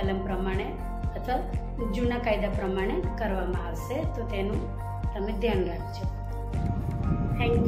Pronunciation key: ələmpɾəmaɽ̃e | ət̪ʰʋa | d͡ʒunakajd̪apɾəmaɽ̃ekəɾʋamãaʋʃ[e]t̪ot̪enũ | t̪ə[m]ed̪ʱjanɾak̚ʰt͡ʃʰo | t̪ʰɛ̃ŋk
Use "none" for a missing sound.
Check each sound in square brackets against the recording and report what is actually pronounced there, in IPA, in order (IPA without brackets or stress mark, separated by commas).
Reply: e, m